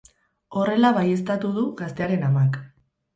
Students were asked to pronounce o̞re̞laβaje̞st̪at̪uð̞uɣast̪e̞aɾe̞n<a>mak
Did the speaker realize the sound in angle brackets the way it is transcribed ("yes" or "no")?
yes